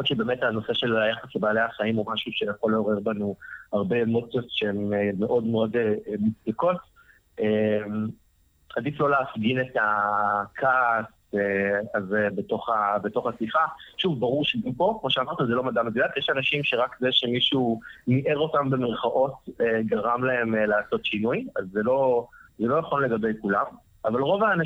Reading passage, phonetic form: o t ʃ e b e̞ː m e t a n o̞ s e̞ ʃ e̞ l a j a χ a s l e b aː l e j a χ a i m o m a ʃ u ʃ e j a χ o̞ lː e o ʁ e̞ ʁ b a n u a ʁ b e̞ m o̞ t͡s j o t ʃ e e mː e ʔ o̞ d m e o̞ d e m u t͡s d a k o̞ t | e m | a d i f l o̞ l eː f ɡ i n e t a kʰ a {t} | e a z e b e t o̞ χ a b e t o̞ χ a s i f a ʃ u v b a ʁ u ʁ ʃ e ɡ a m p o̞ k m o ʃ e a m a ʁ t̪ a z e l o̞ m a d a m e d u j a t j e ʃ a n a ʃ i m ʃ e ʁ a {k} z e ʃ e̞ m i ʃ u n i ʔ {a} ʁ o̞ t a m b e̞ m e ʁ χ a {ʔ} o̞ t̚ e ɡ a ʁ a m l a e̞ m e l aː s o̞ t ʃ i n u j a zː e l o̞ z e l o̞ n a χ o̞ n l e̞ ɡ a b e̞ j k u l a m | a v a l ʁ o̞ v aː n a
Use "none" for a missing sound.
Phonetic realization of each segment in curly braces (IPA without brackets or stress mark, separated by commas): s, k, e, ʔ